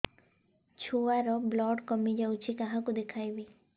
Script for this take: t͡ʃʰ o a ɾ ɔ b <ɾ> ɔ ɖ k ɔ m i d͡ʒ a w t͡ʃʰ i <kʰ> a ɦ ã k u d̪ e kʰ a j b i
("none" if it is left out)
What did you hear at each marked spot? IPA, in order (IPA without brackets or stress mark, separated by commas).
l, k